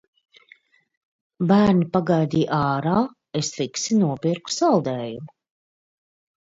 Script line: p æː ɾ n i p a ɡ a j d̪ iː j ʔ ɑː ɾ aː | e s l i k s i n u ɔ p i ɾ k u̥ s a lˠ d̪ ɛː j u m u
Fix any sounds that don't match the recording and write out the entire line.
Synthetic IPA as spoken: b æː ɾ n i p a ɡ a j d̪ iː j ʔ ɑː ɾ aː | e s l i k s i n u ɔ p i ɾ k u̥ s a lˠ d̪ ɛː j u m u

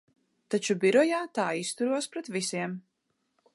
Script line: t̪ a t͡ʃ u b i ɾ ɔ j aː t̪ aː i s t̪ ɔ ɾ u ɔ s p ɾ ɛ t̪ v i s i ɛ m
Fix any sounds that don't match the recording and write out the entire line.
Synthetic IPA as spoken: t̪ a t͡ʃ u b i ɾ ɔ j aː t̪ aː i s t̪ u ɾ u ɔ s p ɾ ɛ t̪ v i s i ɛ m

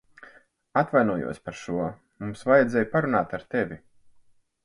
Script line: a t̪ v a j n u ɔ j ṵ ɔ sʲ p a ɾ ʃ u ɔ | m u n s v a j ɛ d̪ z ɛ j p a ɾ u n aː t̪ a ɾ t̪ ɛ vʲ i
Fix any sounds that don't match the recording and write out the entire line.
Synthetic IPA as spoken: a t̪ v a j n u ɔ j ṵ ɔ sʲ p a ɾ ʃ u ɔ | m u m s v a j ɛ d̪ z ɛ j p a ɾ u n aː t̪ a ɾ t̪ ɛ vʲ i

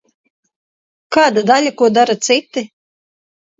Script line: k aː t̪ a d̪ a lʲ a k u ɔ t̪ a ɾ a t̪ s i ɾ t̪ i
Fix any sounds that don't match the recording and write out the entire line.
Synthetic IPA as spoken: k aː d̪ a d̪ a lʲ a k u ɔ d̪ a ɾ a t̪ s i t̪ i

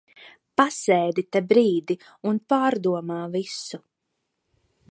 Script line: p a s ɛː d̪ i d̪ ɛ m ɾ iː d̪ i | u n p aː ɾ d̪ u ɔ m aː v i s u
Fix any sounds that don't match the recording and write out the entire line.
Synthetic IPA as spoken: p a s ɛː d̪ i t̪ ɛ b ɾ iː d̪ i | u n p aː ɾ d̪ u ɔ m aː v i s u

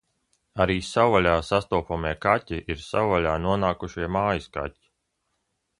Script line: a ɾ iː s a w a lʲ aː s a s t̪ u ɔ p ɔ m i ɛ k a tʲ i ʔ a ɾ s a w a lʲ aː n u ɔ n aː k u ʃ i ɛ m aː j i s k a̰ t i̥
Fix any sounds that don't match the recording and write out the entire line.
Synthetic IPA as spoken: a ɾ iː s a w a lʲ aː s a s t̪ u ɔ p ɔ m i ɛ k a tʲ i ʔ i ɾ s a w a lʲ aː n u ɔ n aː k u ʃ i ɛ m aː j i s k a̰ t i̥

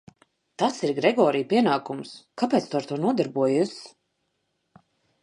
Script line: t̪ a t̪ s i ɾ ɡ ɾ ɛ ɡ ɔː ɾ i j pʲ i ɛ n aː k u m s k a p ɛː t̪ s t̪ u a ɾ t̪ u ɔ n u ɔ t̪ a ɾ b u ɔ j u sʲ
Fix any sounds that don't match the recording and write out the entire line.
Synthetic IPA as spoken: t̪ a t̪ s i ɾ ɡ ɾ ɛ ɡ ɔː ɾ i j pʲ i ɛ n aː k u m s k a p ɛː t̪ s t̪ u a ɾ t̪ u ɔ n u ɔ d̪ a ɾ b u ɔ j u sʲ

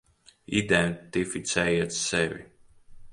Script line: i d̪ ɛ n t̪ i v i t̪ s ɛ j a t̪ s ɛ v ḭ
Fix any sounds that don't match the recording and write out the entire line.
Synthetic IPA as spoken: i d̪ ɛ n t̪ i f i t̪ s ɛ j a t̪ s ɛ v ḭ

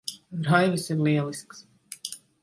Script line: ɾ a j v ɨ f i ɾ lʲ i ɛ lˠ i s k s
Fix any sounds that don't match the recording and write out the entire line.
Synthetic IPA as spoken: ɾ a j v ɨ s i ɾ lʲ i ɛ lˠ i s k s

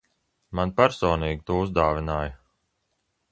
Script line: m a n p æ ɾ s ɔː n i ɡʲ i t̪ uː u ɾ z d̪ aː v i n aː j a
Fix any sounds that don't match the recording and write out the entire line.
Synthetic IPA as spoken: m a n p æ ɾ s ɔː n iː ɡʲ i t̪ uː u z d̪ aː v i n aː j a

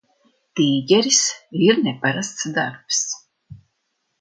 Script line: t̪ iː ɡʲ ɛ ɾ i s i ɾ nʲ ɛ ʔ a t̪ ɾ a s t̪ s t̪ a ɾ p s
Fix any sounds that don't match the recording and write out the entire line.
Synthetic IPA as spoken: t̪ iː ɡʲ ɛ ɾ i s i ɾ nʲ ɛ p a ɾ a s t̪ s d̪ a ɾ p s

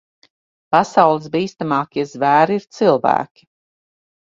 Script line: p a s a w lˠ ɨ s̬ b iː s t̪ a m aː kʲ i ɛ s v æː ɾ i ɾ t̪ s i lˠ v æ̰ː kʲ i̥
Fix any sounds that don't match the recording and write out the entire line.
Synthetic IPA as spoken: p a s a w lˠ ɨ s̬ b iː s t̪ a m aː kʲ i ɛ z v æː ɾ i ɾ t̪ s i lˠ v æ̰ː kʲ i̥

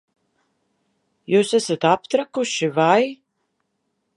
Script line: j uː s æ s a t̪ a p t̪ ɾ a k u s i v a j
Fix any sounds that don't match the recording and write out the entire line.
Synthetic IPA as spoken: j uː s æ s a t̪ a p t̪ ɾ a k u ʃ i v a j

